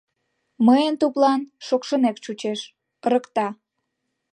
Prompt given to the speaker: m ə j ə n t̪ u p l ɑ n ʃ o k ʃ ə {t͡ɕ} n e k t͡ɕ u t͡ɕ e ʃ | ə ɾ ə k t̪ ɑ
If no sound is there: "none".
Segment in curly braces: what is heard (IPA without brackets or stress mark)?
none